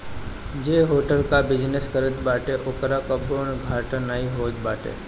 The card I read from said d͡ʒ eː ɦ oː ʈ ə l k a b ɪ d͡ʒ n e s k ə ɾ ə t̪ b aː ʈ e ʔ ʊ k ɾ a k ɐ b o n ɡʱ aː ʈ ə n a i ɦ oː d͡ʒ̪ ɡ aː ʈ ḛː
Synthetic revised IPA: d͡ʒ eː ɦ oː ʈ ə l k a b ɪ d͡ʒ n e s k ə ɾ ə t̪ b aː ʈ e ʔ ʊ k ɾ a k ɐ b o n ɡʱ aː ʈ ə n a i ɦ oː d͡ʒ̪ b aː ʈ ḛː

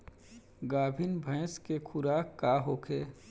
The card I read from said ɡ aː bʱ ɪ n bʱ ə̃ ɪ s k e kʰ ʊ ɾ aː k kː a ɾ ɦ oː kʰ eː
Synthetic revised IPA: ɡ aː bʱ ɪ n bʱ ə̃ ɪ s k e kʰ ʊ ɾ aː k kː a ɦ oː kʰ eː

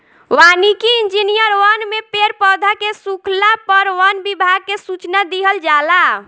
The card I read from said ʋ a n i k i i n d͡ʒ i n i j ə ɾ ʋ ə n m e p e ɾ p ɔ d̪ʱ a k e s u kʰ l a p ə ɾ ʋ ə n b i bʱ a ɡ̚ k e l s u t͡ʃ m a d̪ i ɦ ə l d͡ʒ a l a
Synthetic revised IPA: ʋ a n i k i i n d͡ʒ i n i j ə ɾ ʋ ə n m e p e ɾ p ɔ d̪ʱ a k e s u kʰ l a p ə ɾ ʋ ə n b i bʱ a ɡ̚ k e s u t͡ʃ n a d̪ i ɦ ə l d͡ʒ a l a

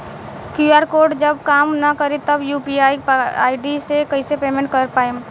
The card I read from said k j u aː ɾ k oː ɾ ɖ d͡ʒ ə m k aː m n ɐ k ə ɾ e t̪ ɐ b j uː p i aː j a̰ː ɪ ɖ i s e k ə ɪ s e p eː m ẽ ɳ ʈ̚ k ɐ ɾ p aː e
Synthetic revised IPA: k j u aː ɾ k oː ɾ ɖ d͡ʒ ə b k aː m n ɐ k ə ɾ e t̪ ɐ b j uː p i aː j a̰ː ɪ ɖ i s e k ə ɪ s e p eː m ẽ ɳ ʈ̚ k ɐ ɾ p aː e

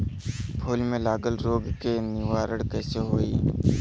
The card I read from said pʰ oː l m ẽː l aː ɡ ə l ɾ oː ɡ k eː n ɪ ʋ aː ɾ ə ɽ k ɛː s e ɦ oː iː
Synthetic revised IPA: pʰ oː l m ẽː l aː ɡ ə l ɾ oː ɡ k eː n ɪ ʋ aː ɾ ə ɽ k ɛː s e ɦ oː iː

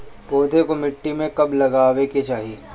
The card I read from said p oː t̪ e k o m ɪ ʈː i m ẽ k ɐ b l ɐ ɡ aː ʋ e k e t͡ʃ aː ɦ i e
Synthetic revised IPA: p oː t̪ e k o m ɪ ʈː i m ẽ k ɐ b l ɐ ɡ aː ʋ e k e t͡ʃ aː ɦ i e

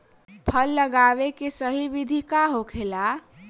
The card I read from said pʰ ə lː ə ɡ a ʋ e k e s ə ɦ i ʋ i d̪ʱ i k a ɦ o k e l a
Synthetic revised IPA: pʰ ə lː ə ɡ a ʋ e k e s ə ɦ i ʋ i d̪ʱ i k a ɦ o kʰ e l a

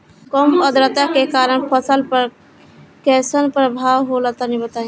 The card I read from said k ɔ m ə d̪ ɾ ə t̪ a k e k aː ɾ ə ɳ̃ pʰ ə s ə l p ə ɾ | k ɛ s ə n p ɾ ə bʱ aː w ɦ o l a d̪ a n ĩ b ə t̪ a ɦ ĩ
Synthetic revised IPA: k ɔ m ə d̪ ɾ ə t̪ a k e k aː ɾ ə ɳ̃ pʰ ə s ə l p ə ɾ | k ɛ s ə n p ɾ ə bʱ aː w ɦ o l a t̪ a n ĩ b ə t̪ a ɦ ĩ

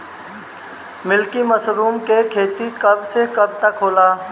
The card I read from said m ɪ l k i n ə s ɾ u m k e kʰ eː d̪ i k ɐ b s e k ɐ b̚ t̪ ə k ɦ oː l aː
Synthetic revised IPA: m ɪ l k i m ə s ɾ uː m k e kʰ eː t̪ i k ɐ b s e k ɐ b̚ t̪ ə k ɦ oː l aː

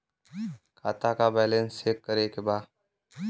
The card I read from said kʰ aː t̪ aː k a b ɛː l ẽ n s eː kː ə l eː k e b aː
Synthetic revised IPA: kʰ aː t̪ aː k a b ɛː l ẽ n s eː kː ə ɾ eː k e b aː

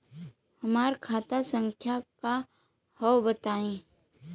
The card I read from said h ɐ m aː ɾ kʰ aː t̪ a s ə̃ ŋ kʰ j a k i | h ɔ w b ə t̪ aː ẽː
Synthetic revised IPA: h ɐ m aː ɾ kʰ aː t̪ a s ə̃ ŋ kʰ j a k a | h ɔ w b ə t̪ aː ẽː

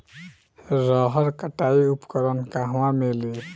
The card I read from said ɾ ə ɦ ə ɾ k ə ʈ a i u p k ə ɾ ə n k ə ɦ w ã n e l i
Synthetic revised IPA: ɾ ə ɦ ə ɾ k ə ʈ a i u p k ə ɾ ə n k a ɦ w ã m e l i

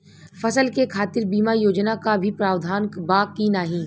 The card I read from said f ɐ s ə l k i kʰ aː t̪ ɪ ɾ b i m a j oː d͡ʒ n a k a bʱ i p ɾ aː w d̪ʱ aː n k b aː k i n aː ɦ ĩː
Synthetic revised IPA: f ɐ s ə l k e kʰ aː t̪ ɪ ɾ b iː m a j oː d͡ʒ n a k a bʱ i p ɾ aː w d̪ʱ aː n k b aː k i n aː ɦ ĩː

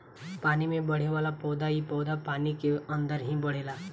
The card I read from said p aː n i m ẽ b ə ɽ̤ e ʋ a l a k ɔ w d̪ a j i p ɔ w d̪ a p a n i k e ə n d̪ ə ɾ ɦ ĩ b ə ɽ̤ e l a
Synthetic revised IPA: p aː n i m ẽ b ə ɽ̤ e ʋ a l a p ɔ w d̪ a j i p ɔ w d̪ a p a n i k e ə n d̪ ə ɾ ɦ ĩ b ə ɽ̤ e l a

